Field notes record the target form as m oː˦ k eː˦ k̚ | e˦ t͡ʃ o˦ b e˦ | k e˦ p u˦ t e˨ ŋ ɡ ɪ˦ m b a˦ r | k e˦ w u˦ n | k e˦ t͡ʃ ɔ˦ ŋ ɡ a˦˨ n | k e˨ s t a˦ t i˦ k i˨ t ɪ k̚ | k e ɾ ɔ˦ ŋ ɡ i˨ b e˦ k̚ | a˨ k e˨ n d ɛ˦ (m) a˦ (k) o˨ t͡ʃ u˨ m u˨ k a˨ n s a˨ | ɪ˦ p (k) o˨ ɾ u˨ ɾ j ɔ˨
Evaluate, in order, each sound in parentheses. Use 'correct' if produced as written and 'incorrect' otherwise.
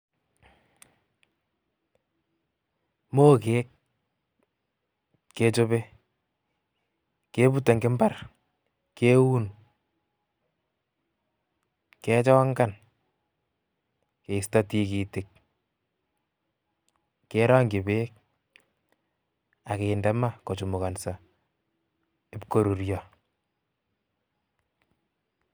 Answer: correct, correct, correct

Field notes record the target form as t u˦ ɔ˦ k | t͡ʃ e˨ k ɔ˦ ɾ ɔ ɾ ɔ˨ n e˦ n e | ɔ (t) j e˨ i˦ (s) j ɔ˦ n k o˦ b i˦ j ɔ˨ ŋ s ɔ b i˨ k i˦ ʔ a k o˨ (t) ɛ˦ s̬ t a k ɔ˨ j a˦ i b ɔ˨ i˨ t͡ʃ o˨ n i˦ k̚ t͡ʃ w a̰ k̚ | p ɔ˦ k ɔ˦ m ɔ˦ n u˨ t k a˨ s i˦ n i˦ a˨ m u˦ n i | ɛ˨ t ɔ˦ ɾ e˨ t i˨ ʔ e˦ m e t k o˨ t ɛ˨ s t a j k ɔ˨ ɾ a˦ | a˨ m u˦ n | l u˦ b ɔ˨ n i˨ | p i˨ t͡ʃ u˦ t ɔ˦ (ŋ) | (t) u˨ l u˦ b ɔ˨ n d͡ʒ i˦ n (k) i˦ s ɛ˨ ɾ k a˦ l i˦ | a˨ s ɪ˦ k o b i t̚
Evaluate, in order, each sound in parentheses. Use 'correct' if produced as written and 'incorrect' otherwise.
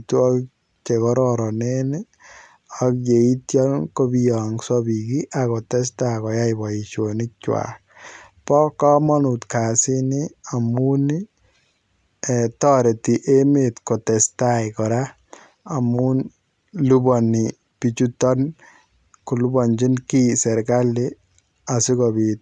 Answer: incorrect, incorrect, correct, incorrect, incorrect, correct

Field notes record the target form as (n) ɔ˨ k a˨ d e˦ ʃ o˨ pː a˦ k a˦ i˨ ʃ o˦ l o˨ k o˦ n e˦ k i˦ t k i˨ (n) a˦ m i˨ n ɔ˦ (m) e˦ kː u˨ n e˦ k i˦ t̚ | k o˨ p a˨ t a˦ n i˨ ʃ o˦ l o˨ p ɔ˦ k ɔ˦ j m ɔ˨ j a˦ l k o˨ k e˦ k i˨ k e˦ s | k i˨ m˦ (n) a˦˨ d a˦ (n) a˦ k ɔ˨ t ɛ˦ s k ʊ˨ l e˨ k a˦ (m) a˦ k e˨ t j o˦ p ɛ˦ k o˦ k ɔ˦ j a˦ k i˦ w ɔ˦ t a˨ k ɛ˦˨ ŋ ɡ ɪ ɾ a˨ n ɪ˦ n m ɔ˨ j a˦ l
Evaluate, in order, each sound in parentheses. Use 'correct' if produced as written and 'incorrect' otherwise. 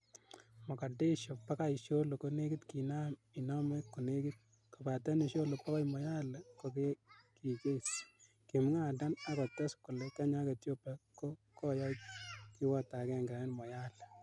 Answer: incorrect, correct, correct, incorrect, correct, incorrect

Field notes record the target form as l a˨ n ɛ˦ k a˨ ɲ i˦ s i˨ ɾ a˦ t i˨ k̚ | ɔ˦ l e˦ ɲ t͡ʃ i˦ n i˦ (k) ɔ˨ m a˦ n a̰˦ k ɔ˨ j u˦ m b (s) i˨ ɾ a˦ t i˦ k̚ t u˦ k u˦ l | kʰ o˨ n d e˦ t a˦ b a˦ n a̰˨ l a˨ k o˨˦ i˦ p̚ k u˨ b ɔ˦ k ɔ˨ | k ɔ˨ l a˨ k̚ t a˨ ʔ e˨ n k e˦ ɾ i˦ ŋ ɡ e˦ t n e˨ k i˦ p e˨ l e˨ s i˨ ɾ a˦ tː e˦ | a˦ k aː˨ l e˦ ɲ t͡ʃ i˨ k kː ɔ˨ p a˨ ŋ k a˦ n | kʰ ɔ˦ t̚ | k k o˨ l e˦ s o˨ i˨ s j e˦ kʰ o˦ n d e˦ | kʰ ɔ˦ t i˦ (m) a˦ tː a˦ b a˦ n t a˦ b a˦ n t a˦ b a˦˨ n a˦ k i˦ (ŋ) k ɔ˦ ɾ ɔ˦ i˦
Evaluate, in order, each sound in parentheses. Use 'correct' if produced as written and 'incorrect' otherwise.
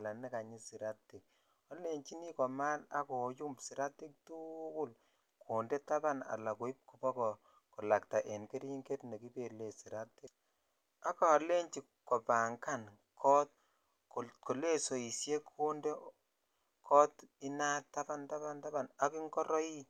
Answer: correct, correct, incorrect, correct

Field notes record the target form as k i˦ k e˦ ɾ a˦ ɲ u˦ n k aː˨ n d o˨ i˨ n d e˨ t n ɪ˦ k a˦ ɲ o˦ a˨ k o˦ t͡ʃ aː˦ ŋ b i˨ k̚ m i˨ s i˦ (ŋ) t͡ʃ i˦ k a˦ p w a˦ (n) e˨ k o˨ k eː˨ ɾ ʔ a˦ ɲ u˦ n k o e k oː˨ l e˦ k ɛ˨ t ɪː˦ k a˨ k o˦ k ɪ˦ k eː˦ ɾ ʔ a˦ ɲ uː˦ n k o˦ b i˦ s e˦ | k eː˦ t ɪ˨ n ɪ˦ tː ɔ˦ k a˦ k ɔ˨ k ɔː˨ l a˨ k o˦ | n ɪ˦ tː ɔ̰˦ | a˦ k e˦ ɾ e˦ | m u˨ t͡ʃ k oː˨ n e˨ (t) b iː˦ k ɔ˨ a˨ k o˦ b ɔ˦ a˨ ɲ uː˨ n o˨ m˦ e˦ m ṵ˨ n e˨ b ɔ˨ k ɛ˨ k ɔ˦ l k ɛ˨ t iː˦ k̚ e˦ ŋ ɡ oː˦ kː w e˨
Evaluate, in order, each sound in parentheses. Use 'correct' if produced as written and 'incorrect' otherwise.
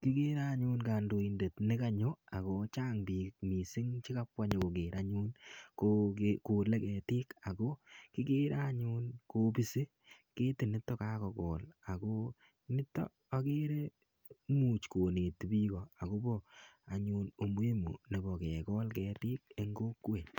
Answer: correct, incorrect, correct

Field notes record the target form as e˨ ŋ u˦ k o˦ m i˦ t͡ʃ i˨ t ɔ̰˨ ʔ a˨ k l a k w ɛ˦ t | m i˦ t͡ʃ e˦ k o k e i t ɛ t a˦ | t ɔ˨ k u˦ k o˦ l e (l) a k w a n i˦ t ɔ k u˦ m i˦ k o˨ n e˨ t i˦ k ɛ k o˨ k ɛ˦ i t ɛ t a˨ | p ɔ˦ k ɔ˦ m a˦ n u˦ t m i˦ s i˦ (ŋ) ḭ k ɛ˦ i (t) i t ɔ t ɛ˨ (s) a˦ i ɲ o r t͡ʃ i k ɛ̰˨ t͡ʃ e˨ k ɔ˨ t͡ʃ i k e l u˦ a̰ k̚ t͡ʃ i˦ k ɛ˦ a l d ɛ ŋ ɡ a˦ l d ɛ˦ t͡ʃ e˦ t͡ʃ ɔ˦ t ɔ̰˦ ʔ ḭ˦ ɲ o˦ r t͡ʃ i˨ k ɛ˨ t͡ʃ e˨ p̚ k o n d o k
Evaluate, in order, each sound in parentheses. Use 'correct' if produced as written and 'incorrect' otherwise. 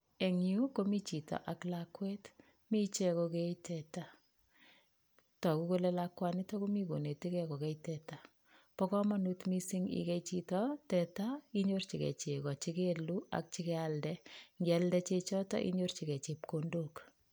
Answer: correct, correct, incorrect, incorrect

